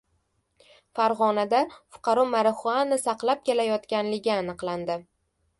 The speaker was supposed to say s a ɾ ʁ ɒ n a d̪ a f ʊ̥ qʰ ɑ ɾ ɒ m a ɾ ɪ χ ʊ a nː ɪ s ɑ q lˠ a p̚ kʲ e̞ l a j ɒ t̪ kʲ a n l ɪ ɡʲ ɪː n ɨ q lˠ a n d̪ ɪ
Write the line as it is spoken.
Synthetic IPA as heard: f a ɾ ʁ ɒ n a d̪ a f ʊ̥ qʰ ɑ ɾ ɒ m a ɾ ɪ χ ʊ a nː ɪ s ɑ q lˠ a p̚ kʲ e̞ l a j ɒ t̪ kʲ a n l ɪ ɡʲ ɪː n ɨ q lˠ a n d̪ ɪ